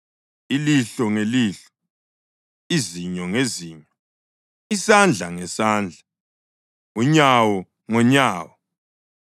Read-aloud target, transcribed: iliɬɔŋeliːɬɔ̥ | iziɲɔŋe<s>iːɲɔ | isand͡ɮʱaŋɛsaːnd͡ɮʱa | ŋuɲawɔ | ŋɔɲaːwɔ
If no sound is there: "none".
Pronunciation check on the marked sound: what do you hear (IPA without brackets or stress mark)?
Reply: z